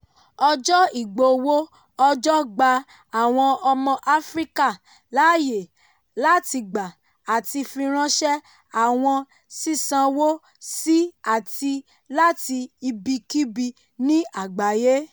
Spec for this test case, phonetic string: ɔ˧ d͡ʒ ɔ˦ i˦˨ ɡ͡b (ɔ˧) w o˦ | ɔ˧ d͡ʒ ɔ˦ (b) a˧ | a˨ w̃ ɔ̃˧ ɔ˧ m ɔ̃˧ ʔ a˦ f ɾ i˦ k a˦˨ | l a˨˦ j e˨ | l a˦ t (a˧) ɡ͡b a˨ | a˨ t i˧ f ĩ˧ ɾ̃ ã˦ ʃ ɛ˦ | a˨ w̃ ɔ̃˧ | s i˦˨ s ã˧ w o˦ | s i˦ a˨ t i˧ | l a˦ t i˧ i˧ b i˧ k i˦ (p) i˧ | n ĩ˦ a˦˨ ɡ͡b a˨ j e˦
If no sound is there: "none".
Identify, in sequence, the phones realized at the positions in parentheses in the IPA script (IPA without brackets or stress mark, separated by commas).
o˧, ɡ͡b, i˧, b